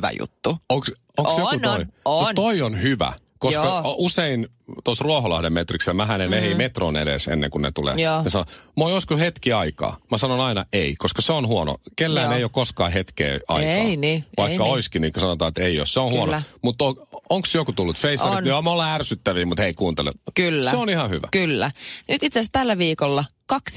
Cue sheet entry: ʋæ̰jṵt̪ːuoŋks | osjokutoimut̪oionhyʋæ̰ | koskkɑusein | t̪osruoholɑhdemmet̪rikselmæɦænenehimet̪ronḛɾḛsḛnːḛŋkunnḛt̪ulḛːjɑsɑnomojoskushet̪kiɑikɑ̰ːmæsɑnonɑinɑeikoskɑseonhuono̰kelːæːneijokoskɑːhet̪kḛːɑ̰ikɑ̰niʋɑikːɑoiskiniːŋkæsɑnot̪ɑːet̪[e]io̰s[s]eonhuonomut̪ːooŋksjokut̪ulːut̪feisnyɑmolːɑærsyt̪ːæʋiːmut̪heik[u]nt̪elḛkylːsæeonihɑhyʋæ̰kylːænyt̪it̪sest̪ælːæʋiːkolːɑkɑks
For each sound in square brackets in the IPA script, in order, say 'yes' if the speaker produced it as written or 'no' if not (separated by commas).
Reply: yes, yes, no